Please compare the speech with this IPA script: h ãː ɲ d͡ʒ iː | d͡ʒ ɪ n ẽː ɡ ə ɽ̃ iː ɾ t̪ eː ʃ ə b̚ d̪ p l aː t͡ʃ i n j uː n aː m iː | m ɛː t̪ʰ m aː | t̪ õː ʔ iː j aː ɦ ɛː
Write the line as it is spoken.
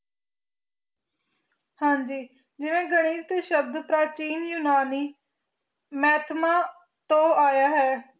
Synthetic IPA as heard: h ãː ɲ d͡ʒ iː | d͡ʒ ɪ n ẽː ɡ ə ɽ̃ iː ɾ t̪ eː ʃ ə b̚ d̪ p ɾ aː t͡ʃ iː n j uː n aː n iː | m ɛː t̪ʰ m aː | t̪ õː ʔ aː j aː ɦ ɛː